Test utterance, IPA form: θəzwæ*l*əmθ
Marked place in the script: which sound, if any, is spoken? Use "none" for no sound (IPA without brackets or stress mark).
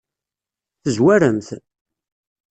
ɾ